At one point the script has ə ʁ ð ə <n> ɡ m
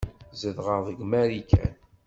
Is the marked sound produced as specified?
no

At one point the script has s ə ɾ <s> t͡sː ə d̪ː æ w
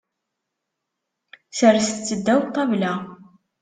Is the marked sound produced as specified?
yes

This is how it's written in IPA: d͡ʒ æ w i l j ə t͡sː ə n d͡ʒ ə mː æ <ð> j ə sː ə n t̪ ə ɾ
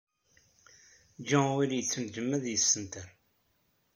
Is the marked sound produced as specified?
yes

